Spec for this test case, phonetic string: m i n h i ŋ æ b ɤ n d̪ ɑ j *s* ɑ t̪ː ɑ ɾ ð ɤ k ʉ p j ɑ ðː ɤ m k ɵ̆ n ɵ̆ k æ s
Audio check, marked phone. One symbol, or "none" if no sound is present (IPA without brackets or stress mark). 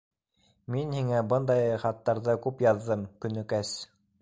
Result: χ